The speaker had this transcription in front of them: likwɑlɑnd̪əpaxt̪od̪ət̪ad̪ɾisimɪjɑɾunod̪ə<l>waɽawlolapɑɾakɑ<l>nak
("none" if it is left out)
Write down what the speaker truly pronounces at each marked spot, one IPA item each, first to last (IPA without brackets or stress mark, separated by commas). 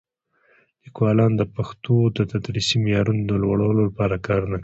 l, ɾ